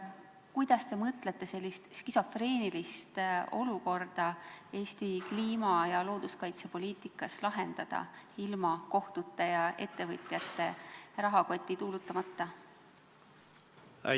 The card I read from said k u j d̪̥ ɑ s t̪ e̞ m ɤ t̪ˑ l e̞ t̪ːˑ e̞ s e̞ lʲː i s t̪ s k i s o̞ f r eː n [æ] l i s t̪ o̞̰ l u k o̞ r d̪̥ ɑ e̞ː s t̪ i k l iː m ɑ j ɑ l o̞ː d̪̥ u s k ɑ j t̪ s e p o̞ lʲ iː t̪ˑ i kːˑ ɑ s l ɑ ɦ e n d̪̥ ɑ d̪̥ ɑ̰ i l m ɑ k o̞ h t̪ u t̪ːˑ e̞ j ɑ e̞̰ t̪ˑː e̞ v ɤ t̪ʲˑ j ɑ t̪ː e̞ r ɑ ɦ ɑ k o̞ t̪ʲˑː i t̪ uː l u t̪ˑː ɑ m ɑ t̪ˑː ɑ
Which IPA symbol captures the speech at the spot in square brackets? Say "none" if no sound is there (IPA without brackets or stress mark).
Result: i